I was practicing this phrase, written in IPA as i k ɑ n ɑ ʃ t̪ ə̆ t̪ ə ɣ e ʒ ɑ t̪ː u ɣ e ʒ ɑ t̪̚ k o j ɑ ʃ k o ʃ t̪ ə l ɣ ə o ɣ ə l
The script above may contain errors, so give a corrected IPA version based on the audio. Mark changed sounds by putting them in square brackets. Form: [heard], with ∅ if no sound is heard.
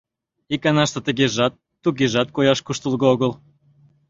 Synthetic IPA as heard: i k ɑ n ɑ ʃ t̪ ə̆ t̪ ə ɣ e ʒ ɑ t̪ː u ɣ e ʒ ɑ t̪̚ k o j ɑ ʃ k [u] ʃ t̪ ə l ɣ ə o ɣ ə l